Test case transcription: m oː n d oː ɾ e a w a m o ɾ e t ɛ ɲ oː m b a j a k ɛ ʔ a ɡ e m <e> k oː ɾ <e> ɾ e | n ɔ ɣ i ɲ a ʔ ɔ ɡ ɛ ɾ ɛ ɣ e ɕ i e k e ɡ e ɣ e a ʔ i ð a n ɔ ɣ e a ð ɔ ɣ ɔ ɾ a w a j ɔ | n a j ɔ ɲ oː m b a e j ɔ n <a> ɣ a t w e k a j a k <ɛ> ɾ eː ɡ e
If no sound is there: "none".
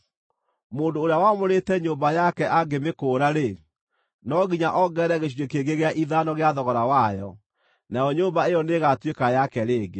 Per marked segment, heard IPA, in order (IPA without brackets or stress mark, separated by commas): e, a, e, ɛ